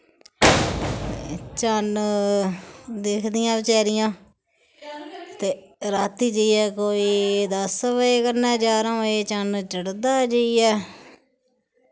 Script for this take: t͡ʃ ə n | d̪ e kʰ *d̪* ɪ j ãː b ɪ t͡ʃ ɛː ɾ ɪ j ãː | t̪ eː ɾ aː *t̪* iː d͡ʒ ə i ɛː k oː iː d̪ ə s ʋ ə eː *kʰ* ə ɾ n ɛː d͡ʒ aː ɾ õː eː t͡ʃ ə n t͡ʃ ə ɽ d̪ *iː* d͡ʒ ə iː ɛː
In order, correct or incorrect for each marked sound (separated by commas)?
correct, correct, incorrect, incorrect